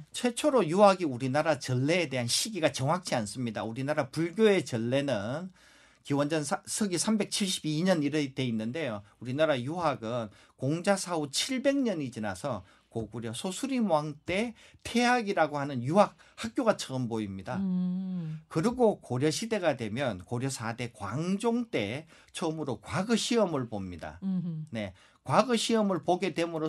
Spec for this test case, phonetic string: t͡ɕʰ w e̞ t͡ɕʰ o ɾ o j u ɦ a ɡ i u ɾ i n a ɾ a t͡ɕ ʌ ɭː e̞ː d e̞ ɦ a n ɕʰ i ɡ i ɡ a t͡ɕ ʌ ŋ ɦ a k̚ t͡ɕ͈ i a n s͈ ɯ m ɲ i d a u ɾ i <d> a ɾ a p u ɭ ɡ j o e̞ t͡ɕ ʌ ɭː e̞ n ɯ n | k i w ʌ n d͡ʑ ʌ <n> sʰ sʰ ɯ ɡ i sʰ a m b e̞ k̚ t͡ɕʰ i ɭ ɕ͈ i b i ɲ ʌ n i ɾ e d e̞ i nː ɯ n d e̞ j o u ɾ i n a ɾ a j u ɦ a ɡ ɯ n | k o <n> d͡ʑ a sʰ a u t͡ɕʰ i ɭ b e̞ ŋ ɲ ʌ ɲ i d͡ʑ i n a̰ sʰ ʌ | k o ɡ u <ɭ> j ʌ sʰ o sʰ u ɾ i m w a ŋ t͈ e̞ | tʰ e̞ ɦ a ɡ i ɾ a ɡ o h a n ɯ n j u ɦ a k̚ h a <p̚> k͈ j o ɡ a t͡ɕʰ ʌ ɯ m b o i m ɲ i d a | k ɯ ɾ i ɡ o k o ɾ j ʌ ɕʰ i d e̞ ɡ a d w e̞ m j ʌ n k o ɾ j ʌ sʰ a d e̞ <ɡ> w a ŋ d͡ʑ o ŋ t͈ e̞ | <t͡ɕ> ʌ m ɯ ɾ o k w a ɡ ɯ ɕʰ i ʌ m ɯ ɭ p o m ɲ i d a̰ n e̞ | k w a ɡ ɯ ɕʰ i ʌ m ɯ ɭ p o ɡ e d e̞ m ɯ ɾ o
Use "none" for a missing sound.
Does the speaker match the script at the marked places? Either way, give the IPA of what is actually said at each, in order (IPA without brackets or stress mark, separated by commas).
n, n, ŋ, ɾ, k̚, k, t͡ɕʰ